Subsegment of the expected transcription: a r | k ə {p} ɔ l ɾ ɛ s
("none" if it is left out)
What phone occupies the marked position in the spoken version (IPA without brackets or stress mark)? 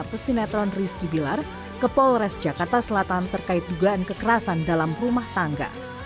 p